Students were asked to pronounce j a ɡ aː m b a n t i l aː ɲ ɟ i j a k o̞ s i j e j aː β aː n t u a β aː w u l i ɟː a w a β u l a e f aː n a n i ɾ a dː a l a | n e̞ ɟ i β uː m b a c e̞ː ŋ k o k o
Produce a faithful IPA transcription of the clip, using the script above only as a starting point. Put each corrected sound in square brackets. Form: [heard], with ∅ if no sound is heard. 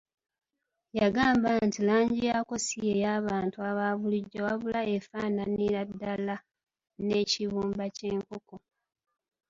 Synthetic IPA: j a ɡ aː m b a n t i l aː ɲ ɟ i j a k o̞ s i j e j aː β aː n t u a β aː [β] u l i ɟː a w a β u l a e f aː n a n i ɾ a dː a l a | n e̞ [c] i β uː m b a c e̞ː ŋ k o k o

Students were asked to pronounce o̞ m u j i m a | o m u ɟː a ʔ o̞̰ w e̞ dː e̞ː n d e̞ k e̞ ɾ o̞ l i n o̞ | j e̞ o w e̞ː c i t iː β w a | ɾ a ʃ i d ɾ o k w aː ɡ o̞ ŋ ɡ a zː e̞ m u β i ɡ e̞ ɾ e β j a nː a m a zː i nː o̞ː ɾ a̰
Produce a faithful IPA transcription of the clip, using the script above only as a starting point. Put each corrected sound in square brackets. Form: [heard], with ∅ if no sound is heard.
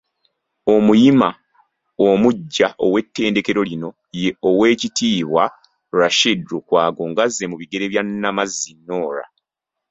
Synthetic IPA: o̞ m u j i m a | o m u ɟː a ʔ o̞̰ w e̞ [tː] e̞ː n d e̞ k e̞ ɾ o̞ l i n o̞ | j e̞ o w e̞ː c i t iː β w a | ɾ a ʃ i d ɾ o k w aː ɡ o̞ ŋ ɡ a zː e̞ m u β i ɡ e̞ ɾ e β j a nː a m a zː i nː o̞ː ɾ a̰

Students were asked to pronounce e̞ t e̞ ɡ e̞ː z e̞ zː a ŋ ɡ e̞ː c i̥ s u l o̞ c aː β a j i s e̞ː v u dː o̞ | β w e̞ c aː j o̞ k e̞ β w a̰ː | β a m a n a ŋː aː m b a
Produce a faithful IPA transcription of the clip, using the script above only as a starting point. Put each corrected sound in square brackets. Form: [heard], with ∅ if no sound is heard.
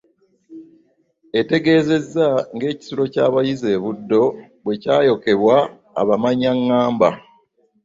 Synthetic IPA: e̞ t e̞ ɡ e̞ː z e̞ zː a ŋ ɡ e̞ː c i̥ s u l o̞ c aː β a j i [z] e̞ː [β] u dː o̞ | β w e̞ c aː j o̞ k e̞ β w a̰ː | β a m a [ɲ] a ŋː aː m b a

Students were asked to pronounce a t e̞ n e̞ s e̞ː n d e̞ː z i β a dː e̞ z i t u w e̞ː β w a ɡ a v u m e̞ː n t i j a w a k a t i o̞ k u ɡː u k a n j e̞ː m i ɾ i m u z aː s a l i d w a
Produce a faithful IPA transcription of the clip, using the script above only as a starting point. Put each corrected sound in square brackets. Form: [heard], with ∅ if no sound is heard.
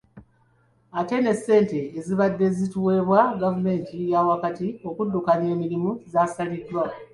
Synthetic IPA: a t e̞ n e̞ s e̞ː n [t] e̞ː z i β a dː e̞ z i t u w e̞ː β w a ɡ a v u m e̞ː n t i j a w a k a t i o̞ k u [dː] u k a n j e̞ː m i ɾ i m u z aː s a l i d w a

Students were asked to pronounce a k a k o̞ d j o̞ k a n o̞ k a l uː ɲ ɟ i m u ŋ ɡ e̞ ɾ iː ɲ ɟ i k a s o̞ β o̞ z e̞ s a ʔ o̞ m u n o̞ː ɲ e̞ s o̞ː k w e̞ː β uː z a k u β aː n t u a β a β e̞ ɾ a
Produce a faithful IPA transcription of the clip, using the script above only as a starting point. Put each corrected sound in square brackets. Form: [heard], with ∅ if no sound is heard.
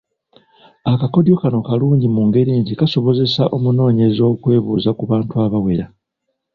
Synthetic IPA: a k a k o̞ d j o̞ k a n o̞ k a l uː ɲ ɟ i m u ŋ ɡ e̞ ɾ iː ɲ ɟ i k a s o̞ β o̞ z e̞ s a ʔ o̞ m u n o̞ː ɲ e̞ [z] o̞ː k w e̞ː β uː z a k u β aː n t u a β a [w] e̞ ɾ a

